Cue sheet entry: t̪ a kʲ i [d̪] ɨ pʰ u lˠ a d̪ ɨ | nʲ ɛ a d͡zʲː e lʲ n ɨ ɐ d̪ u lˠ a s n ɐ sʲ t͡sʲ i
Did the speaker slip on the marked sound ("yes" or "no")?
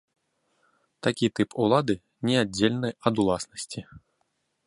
yes